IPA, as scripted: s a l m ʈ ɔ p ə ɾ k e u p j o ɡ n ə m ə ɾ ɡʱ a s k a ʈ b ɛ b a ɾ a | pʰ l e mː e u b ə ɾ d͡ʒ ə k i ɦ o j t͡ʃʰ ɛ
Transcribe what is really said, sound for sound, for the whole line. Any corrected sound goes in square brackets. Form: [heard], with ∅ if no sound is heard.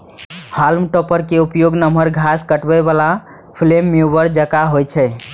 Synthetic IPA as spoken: [h] a l m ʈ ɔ p ə ɾ k e u p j o ɡ n ə m ə ɾ ɡʱ a s k [ə] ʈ b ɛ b a [l] a | pʰ l e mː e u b ə ɾ d͡ʒ ə k [a] ɦ o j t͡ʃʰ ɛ